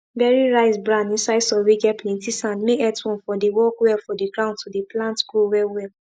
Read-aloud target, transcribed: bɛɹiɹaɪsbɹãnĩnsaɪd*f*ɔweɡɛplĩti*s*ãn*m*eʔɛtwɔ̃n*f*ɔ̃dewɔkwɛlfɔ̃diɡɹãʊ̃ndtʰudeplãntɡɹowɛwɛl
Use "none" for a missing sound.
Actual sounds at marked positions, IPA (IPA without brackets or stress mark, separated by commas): s, s, m, f